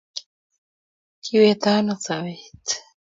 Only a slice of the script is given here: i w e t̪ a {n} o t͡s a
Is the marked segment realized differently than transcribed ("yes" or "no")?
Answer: no